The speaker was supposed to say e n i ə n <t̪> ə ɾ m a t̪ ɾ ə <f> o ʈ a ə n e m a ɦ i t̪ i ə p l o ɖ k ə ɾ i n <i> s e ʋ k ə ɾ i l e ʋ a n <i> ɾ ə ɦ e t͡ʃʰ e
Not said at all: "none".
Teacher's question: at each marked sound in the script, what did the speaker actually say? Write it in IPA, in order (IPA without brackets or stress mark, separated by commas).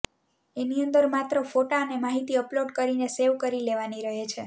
d̪, f, e, i